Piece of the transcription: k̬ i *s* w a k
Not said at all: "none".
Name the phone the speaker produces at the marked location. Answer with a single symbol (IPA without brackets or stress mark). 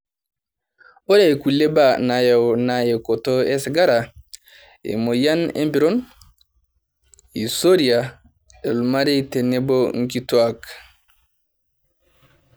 t